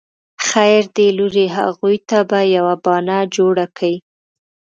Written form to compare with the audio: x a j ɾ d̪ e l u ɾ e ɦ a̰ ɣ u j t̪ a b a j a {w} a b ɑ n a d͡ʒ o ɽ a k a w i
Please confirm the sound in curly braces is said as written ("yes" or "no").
yes